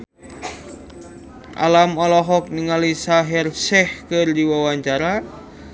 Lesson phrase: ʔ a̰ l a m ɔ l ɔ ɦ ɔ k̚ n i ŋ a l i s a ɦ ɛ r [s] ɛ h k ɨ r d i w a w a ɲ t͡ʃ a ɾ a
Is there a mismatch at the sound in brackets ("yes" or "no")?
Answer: no